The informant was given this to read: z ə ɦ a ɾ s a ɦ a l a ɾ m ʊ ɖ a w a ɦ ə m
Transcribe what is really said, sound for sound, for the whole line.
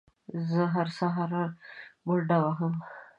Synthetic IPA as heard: z ə ɦ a ɾ s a ɦ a ɾ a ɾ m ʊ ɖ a w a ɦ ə m